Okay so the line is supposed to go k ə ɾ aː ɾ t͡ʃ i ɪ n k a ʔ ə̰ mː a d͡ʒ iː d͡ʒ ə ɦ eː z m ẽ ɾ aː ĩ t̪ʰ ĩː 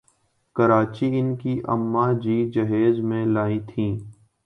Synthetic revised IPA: k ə ɾ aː t͡ʃ i ɪ n k i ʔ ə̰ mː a d͡ʒ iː d͡ʒ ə ɦ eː z m ẽ l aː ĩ t̪ʰ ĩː